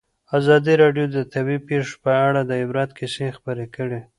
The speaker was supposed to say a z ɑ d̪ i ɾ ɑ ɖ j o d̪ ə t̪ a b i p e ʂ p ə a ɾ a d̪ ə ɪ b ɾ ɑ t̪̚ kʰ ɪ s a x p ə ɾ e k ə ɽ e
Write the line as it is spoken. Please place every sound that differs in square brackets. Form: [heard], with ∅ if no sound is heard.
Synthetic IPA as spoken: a z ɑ d̪ i ɾ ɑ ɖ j o d̪ ə t̪ a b i p e ʂ p ə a [ɽ] a d̪ ə ɪ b ɾ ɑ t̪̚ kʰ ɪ s [e] x p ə ɾ e k ə ɽ e